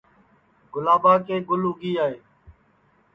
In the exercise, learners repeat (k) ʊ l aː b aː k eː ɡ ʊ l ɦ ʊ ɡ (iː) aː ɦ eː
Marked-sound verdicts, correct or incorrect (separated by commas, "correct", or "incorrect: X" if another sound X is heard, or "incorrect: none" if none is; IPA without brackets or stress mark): incorrect: ɡ, correct